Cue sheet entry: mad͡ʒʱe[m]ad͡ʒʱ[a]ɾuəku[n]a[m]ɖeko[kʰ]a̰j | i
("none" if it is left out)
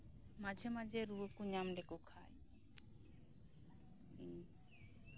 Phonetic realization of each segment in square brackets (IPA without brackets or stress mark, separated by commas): m, e, ɲ, m, kʰ